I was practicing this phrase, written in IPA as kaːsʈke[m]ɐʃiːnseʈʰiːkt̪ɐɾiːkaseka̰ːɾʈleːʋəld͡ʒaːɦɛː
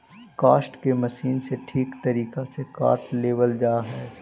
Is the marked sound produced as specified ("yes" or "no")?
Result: yes